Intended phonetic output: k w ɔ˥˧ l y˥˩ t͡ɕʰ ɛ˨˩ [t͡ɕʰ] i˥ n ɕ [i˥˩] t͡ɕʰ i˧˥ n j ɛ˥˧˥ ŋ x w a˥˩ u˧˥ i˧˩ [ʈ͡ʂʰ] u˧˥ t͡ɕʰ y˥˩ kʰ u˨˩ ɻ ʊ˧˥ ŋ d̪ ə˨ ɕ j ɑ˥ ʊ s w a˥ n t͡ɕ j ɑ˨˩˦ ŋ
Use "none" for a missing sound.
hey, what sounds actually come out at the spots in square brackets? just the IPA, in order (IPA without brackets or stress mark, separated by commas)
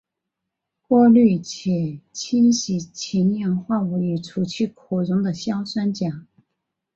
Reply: t͡ɕʰ, i˧˥, ʈ͡ʂʰ